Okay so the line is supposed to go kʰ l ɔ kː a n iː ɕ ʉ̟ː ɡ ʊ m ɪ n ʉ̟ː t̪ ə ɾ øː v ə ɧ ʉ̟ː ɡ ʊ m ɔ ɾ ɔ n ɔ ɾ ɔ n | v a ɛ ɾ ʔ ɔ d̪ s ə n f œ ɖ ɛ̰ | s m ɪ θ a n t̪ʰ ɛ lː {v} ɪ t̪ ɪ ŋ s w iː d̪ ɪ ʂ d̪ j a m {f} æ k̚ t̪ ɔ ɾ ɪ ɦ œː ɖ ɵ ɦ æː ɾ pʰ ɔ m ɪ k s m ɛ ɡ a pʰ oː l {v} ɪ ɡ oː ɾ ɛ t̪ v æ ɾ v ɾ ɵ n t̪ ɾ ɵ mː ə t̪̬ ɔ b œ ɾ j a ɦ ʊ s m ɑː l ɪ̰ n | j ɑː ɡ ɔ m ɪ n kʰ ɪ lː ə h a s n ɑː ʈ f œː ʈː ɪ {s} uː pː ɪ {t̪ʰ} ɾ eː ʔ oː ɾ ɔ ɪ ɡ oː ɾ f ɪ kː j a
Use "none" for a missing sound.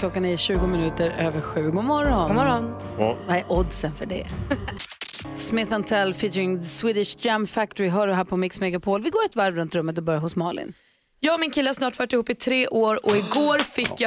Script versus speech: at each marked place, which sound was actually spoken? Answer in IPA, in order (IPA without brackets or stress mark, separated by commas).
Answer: f, f, v, h, t̪ʰ